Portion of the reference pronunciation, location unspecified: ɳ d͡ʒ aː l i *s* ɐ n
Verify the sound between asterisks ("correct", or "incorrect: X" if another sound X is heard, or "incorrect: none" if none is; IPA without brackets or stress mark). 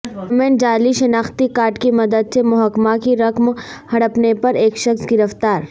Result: incorrect: ʃ